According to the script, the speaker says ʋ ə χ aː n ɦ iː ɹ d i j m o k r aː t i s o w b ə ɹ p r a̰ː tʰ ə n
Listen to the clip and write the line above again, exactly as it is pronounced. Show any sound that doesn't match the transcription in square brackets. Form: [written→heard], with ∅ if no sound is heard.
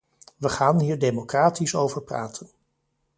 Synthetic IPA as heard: ʋ ə χ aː n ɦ iː ɹ d [i→e] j m o k r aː t i s o w [b→v] ə ɹ p r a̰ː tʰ ə n